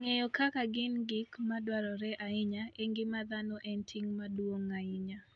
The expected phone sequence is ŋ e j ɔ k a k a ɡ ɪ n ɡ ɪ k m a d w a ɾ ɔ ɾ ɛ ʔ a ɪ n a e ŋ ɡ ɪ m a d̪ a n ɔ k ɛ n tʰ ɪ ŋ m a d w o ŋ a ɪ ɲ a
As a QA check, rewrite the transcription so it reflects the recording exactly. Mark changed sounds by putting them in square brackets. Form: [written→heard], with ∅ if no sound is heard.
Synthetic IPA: ŋ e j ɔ k a k a ɡ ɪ n ɡ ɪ k m a d w a ɾ ɔ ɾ ɛ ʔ a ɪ [n→ɲ] a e ŋ ɡ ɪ m a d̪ a n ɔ [k→ʔ] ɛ n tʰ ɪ ŋ m a d w o ŋ a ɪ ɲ a